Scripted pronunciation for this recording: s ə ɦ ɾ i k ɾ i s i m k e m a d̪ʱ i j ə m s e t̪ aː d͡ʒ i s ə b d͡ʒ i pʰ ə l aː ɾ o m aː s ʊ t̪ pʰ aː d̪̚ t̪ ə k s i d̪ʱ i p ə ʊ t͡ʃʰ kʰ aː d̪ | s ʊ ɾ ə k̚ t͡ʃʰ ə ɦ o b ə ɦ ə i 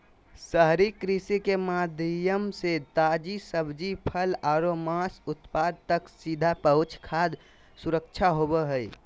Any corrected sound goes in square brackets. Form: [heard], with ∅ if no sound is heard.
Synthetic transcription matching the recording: s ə ɦ ɾ i k ɾ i s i [∅] k e m a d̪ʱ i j ə m s e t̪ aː d͡ʒ i s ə b d͡ʒ i pʰ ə l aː ɾ o m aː s ʊ t̪ [p] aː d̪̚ t̪ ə k s i d̪ʱ [a] p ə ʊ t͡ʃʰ kʰ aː d̪ | s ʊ ɾ ə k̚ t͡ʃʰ [a] ɦ o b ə ɦ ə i